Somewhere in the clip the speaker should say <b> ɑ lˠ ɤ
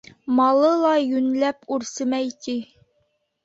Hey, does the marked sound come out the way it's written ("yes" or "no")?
no